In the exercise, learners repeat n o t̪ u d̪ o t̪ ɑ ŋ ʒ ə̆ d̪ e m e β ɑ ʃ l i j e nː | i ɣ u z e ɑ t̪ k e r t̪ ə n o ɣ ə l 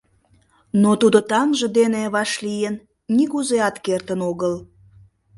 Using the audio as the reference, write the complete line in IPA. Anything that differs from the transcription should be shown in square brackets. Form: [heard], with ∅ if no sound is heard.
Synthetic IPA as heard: n o t̪ u d̪ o t̪ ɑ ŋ ʒ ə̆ d̪ e [n] e β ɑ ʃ l i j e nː | i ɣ u z e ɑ t̪ k e r t̪ ə n o ɣ ə l